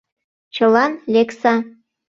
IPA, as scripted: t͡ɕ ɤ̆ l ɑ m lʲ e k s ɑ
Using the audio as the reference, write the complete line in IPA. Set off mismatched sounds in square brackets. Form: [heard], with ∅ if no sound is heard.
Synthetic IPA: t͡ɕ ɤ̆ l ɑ [n] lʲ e k s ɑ